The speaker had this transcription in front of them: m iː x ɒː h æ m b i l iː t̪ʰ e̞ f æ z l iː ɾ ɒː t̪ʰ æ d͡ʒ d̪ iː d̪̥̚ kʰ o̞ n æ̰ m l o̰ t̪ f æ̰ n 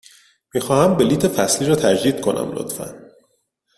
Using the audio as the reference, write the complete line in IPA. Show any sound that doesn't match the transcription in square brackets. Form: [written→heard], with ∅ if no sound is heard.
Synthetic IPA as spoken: m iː x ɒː h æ m b [i→e] l iː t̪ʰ e̞ f æ [z→s] l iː ɾ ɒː t̪ʰ æ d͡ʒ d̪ iː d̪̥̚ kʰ o̞ n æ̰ m l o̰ t̪ f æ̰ n

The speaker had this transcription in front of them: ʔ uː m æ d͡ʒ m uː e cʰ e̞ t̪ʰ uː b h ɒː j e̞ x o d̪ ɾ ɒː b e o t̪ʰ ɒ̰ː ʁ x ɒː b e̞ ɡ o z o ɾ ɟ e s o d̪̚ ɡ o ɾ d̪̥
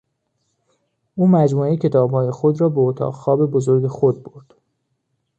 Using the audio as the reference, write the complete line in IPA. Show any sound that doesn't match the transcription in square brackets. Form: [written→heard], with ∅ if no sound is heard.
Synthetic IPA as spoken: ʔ uː m æ d͡ʒ m uː e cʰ e̞ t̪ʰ [uː→ɒː] b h ɒː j e̞ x o d̪ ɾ ɒː b e o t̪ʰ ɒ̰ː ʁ x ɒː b e̞ [ɡ→b] o z o ɾ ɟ e [s→x] o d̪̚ [ɡ→b] o ɾ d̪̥

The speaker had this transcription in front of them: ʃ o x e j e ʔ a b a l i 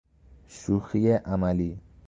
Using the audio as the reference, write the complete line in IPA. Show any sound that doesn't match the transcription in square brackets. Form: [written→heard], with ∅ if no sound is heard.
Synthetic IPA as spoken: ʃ [o→u] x [e→i] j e ʔ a [b→m] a l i

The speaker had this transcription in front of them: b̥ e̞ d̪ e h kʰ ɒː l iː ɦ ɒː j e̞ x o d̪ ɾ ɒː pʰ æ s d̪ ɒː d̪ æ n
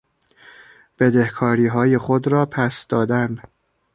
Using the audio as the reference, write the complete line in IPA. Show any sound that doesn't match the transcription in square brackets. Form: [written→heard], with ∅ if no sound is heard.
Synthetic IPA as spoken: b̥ e̞ d̪ e h kʰ ɒː [l→ɾ] iː ɦ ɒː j e̞ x o d̪ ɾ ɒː pʰ æ s d̪ ɒː d̪ æ n

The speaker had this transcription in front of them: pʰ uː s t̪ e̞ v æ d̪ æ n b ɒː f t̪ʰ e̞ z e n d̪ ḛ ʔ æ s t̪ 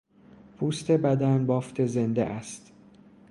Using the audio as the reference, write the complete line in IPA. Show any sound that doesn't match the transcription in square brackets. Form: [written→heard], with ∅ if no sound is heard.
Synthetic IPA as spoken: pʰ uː s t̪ e̞ [v→b] æ d̪ æ n b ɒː f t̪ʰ e̞ z e n d̪ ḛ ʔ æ s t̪

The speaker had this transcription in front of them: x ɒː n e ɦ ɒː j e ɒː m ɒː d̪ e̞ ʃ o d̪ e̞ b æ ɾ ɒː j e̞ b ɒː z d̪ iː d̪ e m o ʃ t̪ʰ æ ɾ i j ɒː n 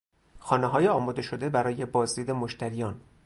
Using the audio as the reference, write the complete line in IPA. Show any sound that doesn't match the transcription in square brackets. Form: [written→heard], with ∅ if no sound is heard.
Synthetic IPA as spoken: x ɒː n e ɦ ɒː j e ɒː m ɒː d̪ e̞ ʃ o d̪ e̞ b æ ɾ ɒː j e̞ b ɒː z d̪ iː d̪ e m o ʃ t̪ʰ æ ɾ i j ɒː n

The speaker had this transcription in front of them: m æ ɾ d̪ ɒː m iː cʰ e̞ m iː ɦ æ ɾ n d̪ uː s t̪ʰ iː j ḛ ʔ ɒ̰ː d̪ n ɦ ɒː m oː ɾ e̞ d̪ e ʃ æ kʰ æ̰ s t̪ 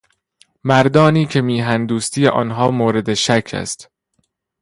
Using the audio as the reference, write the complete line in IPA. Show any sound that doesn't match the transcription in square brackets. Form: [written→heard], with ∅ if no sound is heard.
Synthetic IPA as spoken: m æ ɾ d̪ ɒː [m→n] iː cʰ e̞ m iː ɦ æ [ɾ→∅] n d̪ uː s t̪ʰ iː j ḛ ʔ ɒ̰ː [d̪→∅] n ɦ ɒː m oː ɾ e̞ d̪ e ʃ æ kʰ æ̰ s t̪

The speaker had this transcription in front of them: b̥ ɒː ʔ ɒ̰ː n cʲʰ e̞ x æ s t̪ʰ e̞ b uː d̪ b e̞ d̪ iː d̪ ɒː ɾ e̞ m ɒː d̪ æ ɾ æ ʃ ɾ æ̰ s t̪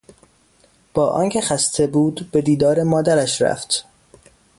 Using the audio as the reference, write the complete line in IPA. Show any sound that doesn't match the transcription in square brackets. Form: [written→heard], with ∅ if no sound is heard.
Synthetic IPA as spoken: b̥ ɒː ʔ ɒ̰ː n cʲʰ e̞ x æ s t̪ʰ e̞ b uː d̪ b e̞ d̪ iː d̪ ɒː ɾ e̞ m ɒː d̪ æ ɾ æ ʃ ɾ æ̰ [s→f] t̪

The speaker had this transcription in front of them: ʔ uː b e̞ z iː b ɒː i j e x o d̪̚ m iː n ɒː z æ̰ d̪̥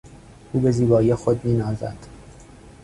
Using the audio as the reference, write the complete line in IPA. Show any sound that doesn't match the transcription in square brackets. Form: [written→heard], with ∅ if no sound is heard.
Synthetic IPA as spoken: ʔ uː b e̞ z iː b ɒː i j e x o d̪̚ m iː n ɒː z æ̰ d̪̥

